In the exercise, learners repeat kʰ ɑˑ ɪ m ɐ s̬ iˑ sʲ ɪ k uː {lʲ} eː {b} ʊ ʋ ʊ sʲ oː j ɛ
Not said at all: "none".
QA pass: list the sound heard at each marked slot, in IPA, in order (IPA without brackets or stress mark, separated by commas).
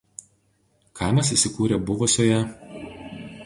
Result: ɾʲ, b